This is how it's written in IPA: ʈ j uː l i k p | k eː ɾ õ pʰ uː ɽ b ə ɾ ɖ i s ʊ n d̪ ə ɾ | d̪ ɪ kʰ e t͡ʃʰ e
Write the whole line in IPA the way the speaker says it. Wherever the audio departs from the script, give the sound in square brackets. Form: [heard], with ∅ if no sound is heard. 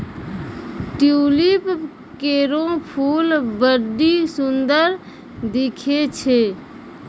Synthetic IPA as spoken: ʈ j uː l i [∅] p | k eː ɾ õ pʰ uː [l] b ə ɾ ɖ i s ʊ n d̪ ə ɾ | d̪ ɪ kʰ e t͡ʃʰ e